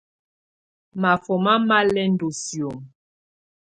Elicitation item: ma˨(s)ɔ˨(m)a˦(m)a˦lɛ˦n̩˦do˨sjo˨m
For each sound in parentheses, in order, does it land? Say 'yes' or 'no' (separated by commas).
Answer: no, yes, yes